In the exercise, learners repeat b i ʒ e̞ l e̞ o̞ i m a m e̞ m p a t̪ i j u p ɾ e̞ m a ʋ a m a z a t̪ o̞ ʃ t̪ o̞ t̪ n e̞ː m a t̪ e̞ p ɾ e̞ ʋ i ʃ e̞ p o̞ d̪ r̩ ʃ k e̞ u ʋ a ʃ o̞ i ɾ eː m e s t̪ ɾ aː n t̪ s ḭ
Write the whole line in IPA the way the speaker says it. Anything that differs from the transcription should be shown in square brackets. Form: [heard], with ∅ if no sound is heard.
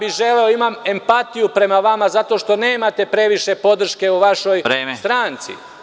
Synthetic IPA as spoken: b i ʒ e̞ l e̞ o̞ i m a m e̞ m p a t̪ i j u p ɾ e̞ m a ʋ a m a z a t̪ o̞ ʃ t̪ o̞ [∅] n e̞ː m a t̪ e̞ p ɾ e̞ ʋ i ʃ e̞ p o̞ d̪ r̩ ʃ k e̞ u ʋ a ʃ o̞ [j] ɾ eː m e s t̪ ɾ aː n t̪ s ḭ